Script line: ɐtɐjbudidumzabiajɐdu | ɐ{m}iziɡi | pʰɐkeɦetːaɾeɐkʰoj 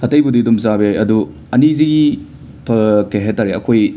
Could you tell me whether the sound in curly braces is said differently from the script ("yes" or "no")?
yes